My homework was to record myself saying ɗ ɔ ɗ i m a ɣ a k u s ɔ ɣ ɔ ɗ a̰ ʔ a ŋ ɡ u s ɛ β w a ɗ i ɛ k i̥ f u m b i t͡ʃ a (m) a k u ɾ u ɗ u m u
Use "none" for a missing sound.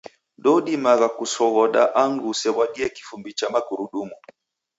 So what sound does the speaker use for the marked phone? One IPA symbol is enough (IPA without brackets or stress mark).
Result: m